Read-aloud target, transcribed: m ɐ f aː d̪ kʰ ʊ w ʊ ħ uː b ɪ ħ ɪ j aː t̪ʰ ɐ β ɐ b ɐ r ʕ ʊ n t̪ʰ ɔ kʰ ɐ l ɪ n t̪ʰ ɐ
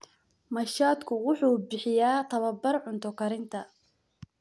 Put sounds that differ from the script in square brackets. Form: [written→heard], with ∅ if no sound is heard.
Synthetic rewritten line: m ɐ [f→ʃ] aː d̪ kʰ ʊ w ʊ ħ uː b ɪ ħ ɪ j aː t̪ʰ ɐ β ɐ b ɐ r ʕ ʊ n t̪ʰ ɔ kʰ ɐ [l→ɾ] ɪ n t̪ʰ ɐ